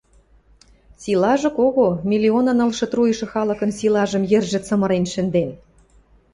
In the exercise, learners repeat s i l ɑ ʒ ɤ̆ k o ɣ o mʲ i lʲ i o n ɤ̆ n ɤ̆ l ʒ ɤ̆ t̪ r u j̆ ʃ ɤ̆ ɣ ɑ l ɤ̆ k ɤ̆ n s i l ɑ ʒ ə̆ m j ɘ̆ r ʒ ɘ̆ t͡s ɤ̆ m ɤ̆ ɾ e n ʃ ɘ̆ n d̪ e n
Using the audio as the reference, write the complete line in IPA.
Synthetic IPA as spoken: s i l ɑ ʒ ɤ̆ k o ɣ o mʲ i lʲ i o n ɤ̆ n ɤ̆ l ʃ ɤ̆ t̪ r u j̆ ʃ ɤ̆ x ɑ l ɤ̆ k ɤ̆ n s i l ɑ ʒ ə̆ m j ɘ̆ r ʒ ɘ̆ t͡s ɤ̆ m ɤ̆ ɾ e n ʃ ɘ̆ n d̪ e n